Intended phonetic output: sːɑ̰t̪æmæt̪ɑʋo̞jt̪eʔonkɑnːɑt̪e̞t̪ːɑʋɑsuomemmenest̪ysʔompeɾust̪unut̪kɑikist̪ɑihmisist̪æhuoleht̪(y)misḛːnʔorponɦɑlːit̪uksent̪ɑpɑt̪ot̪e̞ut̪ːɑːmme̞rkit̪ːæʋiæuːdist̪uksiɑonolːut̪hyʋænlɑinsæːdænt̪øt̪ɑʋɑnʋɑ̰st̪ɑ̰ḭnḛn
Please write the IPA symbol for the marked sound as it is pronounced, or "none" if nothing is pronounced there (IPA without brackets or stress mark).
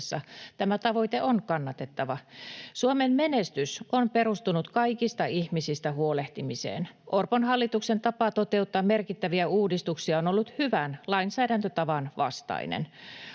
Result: i